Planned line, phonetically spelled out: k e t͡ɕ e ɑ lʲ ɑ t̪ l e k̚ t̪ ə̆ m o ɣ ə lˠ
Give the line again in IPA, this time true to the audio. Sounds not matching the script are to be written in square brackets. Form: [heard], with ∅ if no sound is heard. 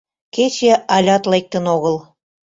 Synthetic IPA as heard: k e t͡ɕ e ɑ lʲ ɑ t̪ l e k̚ t̪ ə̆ [n] o ɣ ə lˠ